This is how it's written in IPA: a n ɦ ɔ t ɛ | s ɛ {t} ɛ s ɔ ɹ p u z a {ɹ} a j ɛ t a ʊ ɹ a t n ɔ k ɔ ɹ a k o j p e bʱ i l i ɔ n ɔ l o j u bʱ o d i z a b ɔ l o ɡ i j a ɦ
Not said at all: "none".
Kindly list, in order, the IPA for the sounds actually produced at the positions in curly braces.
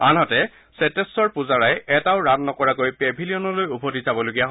t, ɹ

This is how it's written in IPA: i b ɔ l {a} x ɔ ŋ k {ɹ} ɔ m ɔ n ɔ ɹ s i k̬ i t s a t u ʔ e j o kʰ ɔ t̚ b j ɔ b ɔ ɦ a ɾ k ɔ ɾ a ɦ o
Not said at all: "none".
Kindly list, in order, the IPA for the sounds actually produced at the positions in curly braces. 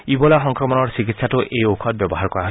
a, ɾ

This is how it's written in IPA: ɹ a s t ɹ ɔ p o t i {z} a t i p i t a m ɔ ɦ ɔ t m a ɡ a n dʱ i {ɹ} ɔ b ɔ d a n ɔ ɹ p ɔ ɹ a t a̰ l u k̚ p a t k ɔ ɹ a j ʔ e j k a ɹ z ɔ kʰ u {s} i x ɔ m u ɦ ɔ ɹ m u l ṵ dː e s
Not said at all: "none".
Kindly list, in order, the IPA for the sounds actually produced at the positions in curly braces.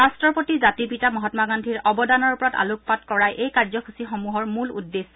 z, ɹ, s

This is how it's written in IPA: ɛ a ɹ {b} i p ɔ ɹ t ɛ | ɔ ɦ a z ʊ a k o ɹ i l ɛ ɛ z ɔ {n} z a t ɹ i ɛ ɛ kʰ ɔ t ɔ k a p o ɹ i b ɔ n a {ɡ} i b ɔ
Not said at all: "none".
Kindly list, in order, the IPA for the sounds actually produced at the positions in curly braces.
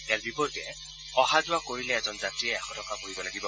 b, n, ɡ

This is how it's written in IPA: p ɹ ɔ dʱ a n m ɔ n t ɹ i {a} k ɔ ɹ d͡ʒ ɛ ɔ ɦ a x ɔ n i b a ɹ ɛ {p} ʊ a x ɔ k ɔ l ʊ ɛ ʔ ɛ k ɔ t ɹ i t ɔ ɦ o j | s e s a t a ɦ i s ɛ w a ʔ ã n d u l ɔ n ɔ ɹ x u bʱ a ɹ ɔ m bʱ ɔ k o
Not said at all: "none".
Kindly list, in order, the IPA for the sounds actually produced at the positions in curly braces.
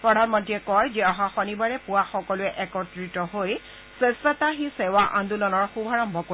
ɛ, p

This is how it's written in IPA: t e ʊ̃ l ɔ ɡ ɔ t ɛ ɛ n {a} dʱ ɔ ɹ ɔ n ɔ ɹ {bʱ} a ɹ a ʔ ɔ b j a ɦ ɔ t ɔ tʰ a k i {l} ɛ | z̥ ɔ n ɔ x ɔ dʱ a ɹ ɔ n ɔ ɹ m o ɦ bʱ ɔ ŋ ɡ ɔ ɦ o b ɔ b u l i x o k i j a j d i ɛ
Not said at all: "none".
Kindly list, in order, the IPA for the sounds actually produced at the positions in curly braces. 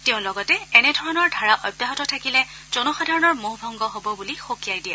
ɛ, dʱ, l

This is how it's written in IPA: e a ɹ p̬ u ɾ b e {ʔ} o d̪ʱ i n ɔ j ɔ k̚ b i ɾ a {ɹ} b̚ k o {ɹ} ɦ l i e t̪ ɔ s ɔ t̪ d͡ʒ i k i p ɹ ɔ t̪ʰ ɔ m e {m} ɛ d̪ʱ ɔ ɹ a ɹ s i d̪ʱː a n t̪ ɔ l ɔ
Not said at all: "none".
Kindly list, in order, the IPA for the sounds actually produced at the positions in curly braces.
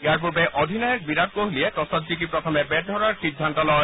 ʔ, none, none, b

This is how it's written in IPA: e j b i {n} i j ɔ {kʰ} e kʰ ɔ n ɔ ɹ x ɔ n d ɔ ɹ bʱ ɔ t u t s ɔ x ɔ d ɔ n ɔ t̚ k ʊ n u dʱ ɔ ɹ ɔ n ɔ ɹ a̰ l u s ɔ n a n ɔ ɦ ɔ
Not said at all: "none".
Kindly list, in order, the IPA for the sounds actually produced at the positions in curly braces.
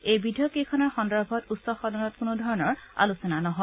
d, k

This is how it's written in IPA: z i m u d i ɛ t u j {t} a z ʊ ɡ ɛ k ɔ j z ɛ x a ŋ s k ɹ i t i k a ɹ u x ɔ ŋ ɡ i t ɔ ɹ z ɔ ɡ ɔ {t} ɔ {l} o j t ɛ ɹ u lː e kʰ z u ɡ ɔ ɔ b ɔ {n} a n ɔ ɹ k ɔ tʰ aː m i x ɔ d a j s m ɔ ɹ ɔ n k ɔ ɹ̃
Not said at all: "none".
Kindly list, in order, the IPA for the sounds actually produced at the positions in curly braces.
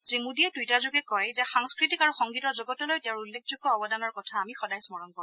t, t, l, d

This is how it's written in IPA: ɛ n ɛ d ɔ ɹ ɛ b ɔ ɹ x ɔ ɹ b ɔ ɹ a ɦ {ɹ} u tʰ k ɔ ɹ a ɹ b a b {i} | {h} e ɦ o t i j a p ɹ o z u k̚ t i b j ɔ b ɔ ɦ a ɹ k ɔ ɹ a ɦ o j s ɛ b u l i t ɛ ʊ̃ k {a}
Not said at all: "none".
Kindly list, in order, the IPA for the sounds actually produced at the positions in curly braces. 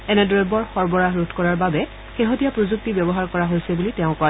ɹ, ɛ, x, a

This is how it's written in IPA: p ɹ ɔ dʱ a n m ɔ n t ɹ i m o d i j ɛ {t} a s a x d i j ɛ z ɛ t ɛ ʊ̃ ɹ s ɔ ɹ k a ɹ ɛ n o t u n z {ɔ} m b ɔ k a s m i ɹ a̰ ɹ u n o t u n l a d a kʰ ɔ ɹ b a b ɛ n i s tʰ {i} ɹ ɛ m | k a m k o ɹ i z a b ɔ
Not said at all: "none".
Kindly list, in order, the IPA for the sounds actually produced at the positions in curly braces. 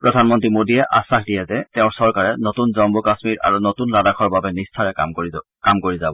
ʔ, ɔ, a

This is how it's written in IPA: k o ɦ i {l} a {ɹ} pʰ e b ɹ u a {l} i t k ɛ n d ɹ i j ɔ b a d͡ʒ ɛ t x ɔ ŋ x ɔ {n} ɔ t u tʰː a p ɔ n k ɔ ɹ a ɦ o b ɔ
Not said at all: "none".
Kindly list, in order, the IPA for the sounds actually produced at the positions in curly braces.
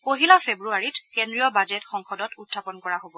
l, none, ɹ, d

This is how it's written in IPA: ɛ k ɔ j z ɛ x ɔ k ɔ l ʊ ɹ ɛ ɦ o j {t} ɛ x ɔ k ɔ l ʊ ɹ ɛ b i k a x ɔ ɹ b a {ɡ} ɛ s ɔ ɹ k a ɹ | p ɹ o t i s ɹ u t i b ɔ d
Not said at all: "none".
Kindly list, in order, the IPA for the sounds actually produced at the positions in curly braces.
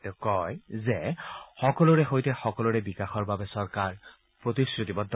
t, b

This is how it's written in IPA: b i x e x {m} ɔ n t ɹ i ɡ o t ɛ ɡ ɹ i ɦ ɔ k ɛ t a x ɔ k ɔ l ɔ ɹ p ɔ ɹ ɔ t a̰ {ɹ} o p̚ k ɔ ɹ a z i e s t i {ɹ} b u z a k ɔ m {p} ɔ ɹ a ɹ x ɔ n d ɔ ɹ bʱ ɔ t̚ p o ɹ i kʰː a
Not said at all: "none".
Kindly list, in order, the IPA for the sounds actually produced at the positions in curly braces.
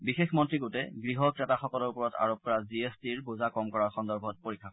m, ɹ, ɹ, k

